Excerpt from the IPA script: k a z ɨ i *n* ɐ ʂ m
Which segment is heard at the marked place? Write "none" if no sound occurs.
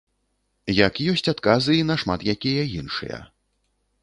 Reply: n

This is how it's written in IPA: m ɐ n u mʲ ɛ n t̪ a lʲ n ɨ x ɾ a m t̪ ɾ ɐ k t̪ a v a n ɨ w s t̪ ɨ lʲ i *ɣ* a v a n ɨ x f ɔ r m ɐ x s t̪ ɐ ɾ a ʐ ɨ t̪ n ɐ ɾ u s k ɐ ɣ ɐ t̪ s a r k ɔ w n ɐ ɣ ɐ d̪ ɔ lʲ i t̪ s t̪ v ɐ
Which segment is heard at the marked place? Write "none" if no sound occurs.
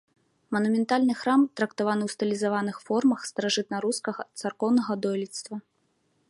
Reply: z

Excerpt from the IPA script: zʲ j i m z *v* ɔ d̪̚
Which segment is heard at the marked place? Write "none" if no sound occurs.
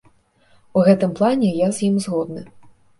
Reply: ɣ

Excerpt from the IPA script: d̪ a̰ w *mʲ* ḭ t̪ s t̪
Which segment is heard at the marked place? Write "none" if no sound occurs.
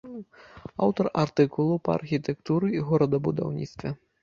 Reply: nʲ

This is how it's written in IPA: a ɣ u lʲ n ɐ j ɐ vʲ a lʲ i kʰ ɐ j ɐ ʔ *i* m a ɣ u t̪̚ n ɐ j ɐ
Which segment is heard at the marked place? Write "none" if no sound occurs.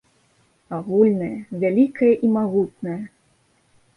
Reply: i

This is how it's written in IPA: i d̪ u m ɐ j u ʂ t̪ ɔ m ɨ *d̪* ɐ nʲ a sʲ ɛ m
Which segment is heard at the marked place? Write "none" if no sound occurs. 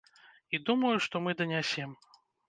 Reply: d̪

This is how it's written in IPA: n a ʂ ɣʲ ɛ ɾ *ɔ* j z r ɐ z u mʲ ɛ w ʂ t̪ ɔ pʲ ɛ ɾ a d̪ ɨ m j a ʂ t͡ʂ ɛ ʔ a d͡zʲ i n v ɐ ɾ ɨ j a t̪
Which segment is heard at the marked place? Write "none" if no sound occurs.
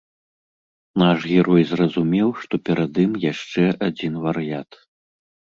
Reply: ɔ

